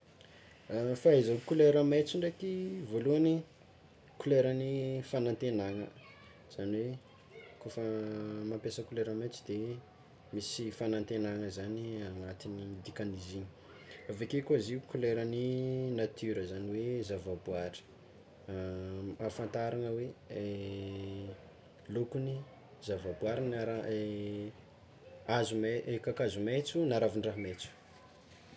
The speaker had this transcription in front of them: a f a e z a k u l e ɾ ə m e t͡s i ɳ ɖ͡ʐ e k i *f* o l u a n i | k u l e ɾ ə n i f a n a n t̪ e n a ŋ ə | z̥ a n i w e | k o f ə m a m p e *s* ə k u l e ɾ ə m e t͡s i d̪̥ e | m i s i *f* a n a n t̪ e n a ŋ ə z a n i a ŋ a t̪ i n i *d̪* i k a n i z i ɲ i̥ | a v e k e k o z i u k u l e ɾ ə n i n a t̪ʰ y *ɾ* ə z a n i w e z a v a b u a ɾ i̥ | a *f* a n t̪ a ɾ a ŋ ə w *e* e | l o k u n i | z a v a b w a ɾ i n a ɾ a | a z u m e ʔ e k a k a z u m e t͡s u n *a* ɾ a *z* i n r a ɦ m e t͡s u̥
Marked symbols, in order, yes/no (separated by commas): no, yes, yes, yes, yes, yes, yes, yes, no